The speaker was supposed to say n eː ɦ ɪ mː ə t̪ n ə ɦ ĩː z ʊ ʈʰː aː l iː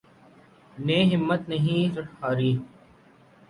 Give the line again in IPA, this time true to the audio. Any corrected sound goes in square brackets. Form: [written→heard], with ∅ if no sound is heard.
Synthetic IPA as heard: n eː ɦ ɪ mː ə t̪ n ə ɦ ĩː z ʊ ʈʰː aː [l→ɾ] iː